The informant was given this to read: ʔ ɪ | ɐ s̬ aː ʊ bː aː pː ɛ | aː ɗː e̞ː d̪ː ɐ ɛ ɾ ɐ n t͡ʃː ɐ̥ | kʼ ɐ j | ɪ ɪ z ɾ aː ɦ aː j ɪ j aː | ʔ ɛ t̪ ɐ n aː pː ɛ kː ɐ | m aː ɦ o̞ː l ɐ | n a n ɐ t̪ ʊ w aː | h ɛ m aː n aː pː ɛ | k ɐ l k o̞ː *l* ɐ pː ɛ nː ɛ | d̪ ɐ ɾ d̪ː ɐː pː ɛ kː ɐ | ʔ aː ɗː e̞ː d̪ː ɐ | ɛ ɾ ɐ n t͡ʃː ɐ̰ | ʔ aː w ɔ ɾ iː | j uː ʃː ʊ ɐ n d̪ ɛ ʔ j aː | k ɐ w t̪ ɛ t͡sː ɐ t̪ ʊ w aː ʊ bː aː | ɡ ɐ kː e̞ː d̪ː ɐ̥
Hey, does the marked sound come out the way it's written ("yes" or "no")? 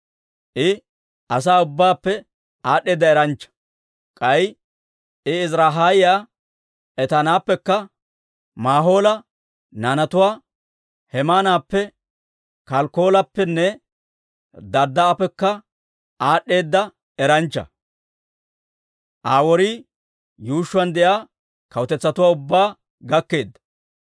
yes